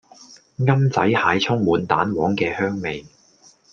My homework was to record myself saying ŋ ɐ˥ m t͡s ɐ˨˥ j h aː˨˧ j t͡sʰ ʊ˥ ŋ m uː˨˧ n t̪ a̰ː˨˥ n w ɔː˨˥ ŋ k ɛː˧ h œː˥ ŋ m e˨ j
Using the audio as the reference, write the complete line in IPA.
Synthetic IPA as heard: ŋ ɐ˥ m t͡s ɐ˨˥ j h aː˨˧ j t͡sʰ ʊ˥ ŋ m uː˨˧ n t̪ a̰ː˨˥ n w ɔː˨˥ ŋ k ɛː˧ h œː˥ ŋ m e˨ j

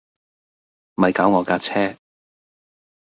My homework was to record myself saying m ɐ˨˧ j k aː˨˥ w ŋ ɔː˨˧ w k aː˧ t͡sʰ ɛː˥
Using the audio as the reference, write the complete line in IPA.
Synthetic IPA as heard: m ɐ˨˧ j k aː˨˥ w ŋ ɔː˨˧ k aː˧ t͡sʰ ɛː˥

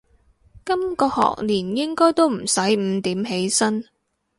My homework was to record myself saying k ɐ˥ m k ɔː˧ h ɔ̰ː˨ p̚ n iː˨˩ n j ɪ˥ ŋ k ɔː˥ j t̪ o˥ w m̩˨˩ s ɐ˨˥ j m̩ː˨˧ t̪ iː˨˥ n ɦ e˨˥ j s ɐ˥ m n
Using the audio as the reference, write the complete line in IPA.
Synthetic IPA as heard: k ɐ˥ m k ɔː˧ h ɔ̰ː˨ k̚ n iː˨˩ n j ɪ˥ ŋ k ɔː˥ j t̪ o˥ w m̩˨˩ s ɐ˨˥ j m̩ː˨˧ t̪ iː˨˥ m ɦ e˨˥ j s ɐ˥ n

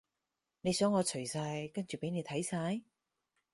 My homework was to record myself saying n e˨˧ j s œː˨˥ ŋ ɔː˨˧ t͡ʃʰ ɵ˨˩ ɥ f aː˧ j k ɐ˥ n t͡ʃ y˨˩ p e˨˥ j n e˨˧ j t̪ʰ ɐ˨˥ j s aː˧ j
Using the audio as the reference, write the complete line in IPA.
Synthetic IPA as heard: n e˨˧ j s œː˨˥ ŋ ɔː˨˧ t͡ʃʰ ɵ˨˩ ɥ s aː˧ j k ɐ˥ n t͡ʃ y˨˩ p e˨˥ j n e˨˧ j t̪ʰ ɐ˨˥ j s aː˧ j

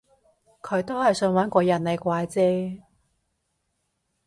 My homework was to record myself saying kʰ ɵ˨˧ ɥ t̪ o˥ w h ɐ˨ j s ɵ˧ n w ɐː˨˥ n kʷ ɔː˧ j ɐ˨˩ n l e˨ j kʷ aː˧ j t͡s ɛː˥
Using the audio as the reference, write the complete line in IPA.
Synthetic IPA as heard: kʰ ɵ˨˧ ɥ t̪ o˥ w h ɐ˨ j s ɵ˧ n w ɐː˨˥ n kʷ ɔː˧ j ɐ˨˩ n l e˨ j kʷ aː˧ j t͡s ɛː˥

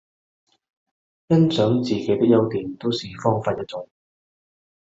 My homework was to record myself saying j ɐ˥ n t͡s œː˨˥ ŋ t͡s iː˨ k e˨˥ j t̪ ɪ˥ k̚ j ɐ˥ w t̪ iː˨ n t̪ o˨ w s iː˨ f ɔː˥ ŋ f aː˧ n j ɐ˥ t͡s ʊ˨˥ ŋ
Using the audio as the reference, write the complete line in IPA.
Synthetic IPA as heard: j ɐ˥ n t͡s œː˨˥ ŋ t͡s iː˨ k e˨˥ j t̪ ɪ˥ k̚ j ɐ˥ w t̪ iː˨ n t̪ o˥ w s iː˨ f ɔː˥ ŋ f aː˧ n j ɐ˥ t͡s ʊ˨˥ ŋ

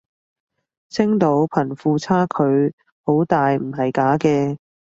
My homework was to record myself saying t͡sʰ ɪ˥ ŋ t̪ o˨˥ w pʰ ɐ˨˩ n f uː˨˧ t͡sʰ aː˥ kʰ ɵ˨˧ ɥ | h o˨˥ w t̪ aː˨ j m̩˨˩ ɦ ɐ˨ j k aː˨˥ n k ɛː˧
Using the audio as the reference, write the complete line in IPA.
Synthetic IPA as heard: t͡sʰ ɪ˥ ŋ t̪ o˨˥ w pʰ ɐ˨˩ n f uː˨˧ t͡sʰ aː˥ kʰ ɵ˨˧ ɥ | h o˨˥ w t̪ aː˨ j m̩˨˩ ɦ ɐ˨ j k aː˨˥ k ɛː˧

